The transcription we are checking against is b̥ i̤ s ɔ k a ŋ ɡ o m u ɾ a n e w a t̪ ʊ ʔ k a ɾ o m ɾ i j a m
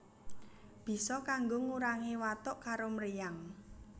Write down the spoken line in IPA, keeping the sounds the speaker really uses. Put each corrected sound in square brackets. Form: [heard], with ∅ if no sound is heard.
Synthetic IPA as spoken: b̥ i̤ s ɔ k a ŋ ɡ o [ŋ] u ɾ a [ŋ] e w a t̪ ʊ ʔ k a ɾ o m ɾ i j a [ŋ]